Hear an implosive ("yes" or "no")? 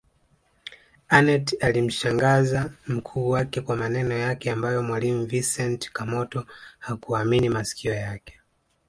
no